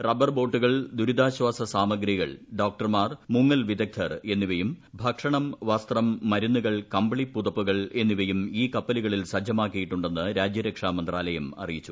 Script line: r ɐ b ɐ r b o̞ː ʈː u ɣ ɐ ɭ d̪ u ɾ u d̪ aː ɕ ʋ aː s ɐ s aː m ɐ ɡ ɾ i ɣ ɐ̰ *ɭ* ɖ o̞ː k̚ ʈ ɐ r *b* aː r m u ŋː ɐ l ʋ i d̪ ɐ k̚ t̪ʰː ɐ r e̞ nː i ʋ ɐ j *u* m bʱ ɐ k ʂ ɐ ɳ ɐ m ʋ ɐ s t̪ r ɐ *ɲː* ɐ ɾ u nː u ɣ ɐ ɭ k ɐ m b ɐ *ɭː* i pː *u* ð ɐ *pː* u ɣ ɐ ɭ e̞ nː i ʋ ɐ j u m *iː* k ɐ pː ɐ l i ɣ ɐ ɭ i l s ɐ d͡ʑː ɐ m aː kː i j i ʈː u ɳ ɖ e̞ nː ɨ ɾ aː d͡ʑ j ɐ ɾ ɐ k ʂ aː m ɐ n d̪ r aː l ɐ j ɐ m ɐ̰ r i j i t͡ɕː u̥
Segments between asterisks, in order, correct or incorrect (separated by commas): correct, incorrect, correct, incorrect, incorrect, correct, correct, correct